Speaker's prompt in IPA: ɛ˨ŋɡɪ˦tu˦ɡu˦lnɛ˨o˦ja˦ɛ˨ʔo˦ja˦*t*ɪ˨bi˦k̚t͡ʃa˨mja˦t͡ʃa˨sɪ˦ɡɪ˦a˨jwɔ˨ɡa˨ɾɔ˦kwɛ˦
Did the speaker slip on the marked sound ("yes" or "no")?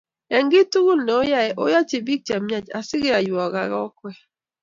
yes